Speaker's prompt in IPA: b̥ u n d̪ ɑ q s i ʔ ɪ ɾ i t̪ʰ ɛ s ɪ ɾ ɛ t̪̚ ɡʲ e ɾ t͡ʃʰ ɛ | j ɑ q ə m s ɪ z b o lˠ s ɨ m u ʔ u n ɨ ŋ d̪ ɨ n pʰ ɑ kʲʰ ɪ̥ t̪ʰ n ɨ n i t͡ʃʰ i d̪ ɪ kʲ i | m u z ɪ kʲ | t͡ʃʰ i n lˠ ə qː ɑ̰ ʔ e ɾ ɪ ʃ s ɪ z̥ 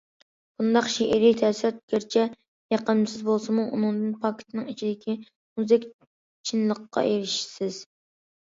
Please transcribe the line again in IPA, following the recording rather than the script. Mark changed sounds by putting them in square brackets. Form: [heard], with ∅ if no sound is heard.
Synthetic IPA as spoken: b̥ u n d̪ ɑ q [ʃ] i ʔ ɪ ɾ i t̪ʰ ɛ s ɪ ɾ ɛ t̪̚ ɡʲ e ɾ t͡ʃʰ ɛ | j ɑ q ə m s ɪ z b o lˠ s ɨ m u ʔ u n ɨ ŋ d̪ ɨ n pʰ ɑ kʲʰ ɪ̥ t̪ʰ n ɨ [ŋ] i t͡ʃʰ i d̪ ɪ kʲ i | m u z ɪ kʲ | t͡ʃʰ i n lˠ ə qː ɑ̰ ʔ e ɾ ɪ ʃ s ɪ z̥